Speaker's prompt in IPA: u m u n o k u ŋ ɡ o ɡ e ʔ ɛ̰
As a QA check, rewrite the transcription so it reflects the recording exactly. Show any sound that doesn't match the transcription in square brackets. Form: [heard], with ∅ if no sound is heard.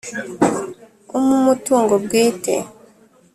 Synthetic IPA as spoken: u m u [m] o [t] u ŋ ɡ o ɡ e [t] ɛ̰